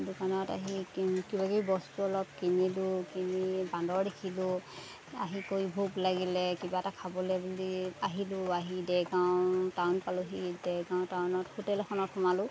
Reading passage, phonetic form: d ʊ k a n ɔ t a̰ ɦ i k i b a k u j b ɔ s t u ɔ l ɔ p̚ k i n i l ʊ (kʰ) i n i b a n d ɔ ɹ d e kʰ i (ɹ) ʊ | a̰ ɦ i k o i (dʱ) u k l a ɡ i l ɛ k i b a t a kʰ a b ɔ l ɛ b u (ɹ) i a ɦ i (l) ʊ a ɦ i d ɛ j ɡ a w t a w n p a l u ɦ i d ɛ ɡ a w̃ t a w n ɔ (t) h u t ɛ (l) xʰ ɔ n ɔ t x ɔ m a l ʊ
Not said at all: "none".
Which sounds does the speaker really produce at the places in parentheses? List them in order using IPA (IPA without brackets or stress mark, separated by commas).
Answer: k, l, bʱ, l, l, t, l